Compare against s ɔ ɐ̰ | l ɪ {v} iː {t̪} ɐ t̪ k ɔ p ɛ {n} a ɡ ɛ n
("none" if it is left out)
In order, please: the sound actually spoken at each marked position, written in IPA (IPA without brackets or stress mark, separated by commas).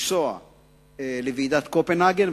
v, d̪, n